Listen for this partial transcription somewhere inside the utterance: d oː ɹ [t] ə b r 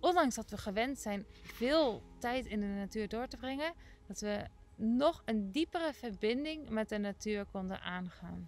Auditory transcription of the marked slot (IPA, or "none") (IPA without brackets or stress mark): t